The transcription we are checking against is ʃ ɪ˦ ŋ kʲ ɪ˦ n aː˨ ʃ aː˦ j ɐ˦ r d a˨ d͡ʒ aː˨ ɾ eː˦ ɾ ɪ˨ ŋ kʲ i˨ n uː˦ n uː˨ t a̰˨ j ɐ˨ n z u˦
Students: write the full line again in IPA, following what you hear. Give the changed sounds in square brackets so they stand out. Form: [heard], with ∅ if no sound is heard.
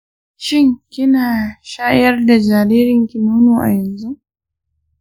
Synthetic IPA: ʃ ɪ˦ ŋ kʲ ɪ˦ n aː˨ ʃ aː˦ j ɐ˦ r d a˨ d͡ʒ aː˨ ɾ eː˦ ɾ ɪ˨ ŋ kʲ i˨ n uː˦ n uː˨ [ʔ] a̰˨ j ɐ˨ n z u˦